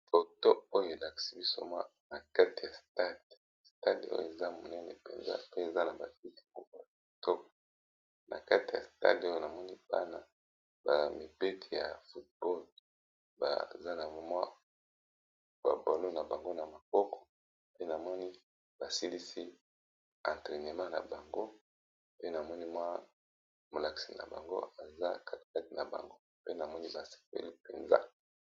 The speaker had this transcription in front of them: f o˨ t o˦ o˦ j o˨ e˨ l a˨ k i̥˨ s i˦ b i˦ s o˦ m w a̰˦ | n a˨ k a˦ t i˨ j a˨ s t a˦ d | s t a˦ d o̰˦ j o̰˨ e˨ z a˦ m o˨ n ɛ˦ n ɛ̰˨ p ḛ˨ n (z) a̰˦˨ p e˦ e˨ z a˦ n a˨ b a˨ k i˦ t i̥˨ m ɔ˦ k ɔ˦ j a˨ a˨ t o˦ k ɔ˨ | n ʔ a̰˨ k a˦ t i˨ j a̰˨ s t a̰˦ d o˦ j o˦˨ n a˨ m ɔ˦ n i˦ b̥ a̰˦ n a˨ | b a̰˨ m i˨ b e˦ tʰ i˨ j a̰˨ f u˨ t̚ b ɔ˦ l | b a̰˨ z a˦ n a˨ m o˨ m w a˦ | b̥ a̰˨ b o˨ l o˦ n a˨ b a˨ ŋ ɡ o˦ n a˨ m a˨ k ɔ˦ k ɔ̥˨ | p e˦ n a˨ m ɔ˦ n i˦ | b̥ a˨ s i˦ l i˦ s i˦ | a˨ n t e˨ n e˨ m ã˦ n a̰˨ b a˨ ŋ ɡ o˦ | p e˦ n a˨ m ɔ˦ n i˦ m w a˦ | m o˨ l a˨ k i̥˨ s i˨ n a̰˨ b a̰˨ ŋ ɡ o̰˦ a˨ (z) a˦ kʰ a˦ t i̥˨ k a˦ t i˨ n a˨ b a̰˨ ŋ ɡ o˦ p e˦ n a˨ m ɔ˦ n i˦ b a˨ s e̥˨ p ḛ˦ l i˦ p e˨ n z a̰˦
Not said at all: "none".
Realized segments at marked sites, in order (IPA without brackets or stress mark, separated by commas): z, z